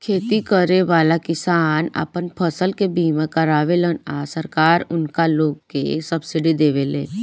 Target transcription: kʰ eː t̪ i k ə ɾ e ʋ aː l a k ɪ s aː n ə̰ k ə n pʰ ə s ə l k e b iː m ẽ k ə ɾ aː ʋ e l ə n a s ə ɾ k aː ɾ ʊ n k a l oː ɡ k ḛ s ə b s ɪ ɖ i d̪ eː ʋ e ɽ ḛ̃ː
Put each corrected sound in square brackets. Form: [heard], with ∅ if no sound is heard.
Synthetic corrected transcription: kʰ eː t̪ i k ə ɾ e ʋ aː l a k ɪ s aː n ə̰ [p] ə n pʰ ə s ə l k e b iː m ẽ k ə ɾ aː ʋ e l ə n a s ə ɾ k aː ɾ ʊ n k a l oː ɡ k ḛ s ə b s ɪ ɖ i d̪ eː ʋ e [l] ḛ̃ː